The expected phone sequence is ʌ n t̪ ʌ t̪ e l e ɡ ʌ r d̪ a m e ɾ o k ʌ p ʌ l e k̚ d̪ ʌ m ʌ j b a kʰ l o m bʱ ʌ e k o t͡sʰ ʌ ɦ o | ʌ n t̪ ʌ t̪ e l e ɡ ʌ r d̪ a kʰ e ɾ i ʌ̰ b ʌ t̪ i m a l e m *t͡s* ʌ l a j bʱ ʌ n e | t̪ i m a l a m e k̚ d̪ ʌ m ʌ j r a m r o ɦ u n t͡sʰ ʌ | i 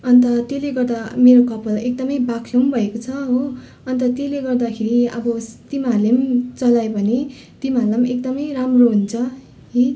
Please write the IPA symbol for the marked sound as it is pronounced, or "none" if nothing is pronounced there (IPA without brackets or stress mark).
t͡s